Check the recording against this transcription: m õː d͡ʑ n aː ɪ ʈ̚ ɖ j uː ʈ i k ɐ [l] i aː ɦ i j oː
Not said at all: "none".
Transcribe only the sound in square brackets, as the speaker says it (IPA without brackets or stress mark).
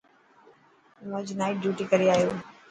ɾ